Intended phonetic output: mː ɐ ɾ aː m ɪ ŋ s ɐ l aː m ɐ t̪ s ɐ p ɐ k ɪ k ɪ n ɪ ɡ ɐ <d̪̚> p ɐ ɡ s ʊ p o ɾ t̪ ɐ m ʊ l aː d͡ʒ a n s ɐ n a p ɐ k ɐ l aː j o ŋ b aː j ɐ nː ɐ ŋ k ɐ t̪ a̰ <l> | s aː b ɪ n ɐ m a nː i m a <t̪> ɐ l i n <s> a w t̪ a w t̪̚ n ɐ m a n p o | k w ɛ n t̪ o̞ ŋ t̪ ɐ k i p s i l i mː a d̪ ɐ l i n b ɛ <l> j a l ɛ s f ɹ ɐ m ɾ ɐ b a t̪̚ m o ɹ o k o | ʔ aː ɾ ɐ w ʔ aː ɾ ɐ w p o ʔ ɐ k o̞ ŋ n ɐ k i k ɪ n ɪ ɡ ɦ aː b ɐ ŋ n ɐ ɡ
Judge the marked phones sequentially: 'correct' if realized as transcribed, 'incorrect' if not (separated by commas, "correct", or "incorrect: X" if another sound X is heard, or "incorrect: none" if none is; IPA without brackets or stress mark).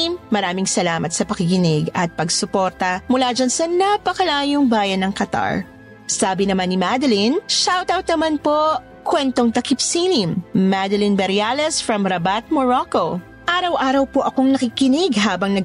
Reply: incorrect: t̪̚, incorrect: ɹ, incorrect: d̪, incorrect: ʃ, incorrect: ɾ